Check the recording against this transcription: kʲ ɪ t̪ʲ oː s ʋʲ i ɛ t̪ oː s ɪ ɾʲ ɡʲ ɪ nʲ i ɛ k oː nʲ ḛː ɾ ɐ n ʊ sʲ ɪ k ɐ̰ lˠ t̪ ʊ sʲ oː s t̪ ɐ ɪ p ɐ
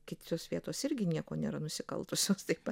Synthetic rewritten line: kʲ ɪ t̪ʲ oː s ʋʲ i ɛ t̪ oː s ɪ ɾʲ ɡʲ ɪ nʲ i ɛ k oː nʲ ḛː ɾ ɐ n ʊ sʲ ɪ k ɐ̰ lˠ t̪ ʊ sʲ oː s t̪ ɐ ɪ p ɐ

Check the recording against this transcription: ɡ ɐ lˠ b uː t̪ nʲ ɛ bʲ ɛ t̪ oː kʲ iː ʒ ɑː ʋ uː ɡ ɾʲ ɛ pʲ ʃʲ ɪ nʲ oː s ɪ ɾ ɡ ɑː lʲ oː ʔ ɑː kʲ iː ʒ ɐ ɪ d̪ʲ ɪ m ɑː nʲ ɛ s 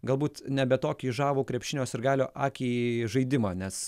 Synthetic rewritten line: ɡ ɐ lˠ b uː t̪ nʲ ɛ bʲ ɛ t̪ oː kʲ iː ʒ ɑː ʋ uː k ɾʲ ɛ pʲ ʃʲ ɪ nʲ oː s ɪ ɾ ɡ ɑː lʲ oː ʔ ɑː kʲ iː ʒ ɐ ɪ d̪ʲ ɪ m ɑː nʲ ɛ s

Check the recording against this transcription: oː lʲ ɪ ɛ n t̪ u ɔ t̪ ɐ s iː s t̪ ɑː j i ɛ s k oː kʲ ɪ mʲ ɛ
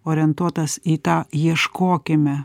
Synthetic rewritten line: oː ɾʲ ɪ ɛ n t̪ u ɔ t̪ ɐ s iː t̪ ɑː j i ɛ ʃ k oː kʲ ɪ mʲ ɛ

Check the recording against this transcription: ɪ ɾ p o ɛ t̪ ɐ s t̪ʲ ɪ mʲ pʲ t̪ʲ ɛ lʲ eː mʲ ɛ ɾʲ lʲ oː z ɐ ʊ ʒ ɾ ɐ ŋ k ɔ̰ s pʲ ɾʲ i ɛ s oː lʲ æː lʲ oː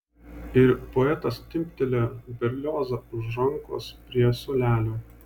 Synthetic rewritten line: ɪ ɾ p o ɛ t̪ ɐ s t̪ʲ ɪ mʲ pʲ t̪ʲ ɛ lʲ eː bʲ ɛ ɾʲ lʲ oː z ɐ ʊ ʒ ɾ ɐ ŋ k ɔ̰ s pʲ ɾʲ i ɛ s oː lʲ æː lʲ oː

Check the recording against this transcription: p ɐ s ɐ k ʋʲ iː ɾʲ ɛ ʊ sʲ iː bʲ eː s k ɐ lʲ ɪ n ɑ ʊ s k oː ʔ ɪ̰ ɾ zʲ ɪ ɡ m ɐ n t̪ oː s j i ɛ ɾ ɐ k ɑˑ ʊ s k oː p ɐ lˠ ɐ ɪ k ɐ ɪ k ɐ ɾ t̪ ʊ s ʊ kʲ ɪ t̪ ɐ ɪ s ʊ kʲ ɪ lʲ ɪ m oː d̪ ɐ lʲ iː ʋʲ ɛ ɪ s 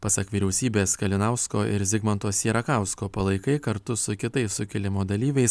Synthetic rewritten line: p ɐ s ɐ k ʋʲ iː ɾʲ ɛ ʊ sʲ iː bʲ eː s k ɐ lʲ ɪ n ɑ ʊ s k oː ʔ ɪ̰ ɾ zʲ ɪ ɡ m ɐ n t̪ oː s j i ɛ ɾ ɐ k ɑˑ ʊ s k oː p ɐ lˠ ɐ ɪ k ɐ ɪ k ɐ ɾ t̪ ʊ s ʊ kʲ ɪ t̪ ɐ ɪ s ʊ kʲ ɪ lʲ ɪ m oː d̪ ɐ lʲ iː ʋʲ ɛ ɪ s

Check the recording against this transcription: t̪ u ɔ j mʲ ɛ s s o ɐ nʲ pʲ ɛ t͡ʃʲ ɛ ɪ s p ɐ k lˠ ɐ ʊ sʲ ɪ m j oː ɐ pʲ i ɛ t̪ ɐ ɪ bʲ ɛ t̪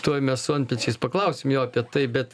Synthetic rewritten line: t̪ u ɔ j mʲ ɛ s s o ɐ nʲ pʲ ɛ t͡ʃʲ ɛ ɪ s p ɐ k lˠ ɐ ʊ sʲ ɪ m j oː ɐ pʲ i ɛ t̪ ɐ ɪ bʲ ɛ t̪

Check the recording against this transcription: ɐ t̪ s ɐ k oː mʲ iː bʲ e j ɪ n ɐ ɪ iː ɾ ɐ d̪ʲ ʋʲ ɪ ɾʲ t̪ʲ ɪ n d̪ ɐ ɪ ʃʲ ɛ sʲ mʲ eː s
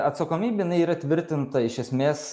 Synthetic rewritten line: ɐ t̪ s ɐ k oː mʲ iː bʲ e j ɪ n ɐ ɪ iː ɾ ɐ t̪ʲ ʋʲ ɪ ɾʲ t̪ʲ ɪ n t̪ ɐ ɪ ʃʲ ɛ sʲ mʲ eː s

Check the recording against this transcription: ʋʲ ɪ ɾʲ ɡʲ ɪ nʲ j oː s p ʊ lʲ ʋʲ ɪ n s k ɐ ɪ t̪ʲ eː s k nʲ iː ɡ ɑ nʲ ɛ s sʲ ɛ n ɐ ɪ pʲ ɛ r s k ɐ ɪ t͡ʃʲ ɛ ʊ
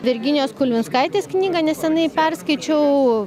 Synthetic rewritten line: ʋʲ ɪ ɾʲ ɡʲ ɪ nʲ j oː s k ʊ lʲ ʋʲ ɪ n s k ɐ ɪ t̪ʲ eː s k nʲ iː ɡ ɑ nʲ ɛ s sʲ ɛ n ɐ ɪ pʲ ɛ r s k ɐ ɪ t͡ʃʲ ɛ ʊ

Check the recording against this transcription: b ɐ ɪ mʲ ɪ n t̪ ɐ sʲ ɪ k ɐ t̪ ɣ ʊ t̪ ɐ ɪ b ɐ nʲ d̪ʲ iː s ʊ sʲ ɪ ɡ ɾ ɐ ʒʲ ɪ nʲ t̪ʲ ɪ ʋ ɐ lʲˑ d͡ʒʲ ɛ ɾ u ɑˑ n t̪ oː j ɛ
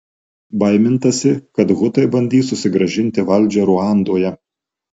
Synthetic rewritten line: b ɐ ɪ mʲ ɪ n t̪ ɐ sʲ ɪ k ɐ t̪ ɣ ʊ t̪ ɐ ɪ b ɐ nʲ d̪ʲ iː s ʊ sʲ ɪ ɡ ɾ ɐ ʒʲ ɪ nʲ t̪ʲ ɪ ʋ ɐ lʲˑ d͡ʒʲ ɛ ɾ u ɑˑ n d̪ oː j ɛ

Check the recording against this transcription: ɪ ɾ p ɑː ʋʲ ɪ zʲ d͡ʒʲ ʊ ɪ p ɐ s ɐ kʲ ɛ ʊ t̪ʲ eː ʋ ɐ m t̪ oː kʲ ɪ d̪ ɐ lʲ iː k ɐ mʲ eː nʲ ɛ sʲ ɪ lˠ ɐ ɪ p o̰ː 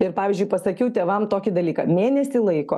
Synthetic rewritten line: ɪ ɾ p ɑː ʋʲ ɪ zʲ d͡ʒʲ ʊ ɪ p ɐ s ɐ kʲ ɛ ʊ t̪ʲ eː ʋ ɐ m t̪ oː kʲ ɪ d̪ ɐ lʲ iː k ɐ mʲ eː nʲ ɛ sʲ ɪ lˠ ɐ ɪ k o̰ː

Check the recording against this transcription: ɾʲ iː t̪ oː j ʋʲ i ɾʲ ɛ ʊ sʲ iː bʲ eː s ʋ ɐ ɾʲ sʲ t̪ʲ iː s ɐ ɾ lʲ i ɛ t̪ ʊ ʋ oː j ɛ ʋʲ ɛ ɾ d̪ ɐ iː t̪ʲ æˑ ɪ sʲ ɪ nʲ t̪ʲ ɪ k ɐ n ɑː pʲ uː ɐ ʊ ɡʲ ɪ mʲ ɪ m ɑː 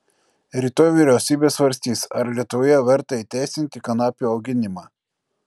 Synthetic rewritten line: ɾʲ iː t̪ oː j ʋʲ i ɾʲ ɛ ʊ sʲ iː bʲ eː s ʋ ɐ ɾʲ sʲ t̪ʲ iː s ɐ ɾ lʲ i ɛ t̪ ʊ ʋ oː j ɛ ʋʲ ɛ ɾ t̪ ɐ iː t̪ʲ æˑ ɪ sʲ ɪ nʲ t̪ʲ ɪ k ɐ n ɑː pʲ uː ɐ ʊ ɡʲ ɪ nʲ ɪ m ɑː

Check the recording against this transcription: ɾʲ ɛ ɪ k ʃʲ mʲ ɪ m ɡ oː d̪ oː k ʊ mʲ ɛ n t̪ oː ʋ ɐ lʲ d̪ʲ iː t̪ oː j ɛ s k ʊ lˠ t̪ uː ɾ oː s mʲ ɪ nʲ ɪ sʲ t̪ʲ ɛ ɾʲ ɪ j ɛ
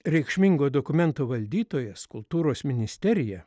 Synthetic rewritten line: ɾʲ ɛ ɪ k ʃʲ mʲ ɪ ŋ ɡ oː d̪ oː k ʊ mʲ ɛ n t̪ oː ʋ ɐ lʲ d̪ʲ iː t̪ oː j ɛ s k ʊ lˠ t̪ uː ɾ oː s mʲ ɪ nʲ ɪ sʲ t̪ʲ ɛ ɾʲ ɪ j ɛ

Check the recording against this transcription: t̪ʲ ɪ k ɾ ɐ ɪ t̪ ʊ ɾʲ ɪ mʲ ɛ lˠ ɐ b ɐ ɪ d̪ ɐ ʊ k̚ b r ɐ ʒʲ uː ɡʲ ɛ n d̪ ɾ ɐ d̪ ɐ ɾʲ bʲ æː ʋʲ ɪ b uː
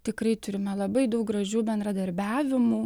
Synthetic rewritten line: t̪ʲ ɪ k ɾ ɐ ɪ t̪ ʊ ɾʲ ɪ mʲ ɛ lˠ ɐ b ɐ ɪ d̪ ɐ ʊ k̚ ɡ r ɐ ʒʲ uː bʲ ɛ n d̪ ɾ ɐ d̪ ɐ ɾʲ bʲ æː ʋʲ ɪ m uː

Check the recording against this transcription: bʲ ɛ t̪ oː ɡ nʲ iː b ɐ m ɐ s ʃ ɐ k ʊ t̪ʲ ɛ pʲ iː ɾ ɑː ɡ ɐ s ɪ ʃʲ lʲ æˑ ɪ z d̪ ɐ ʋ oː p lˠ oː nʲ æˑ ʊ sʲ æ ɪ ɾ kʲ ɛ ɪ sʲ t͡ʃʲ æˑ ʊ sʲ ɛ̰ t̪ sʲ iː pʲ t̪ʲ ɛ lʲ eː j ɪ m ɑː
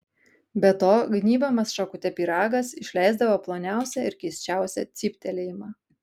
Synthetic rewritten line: bʲ ɛ t̪ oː ɡ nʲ iː b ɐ m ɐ s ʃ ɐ k ʊ t̪ʲ ɛ pʲ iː ɾ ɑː ɡ ɐ s ɪ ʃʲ lʲ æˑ ɪ z d̪ ɐ ʋ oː p lˠ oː nʲ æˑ ʊ sʲ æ ɪ ɾ kʲ ɛ ɪ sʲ t͡ʃʲ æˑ ʊ sʲ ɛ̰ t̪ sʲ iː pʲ t̪ʲ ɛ lʲ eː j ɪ m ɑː

